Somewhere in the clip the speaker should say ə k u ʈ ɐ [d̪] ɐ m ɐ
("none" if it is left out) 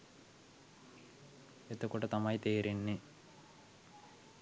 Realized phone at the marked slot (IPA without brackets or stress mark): t̪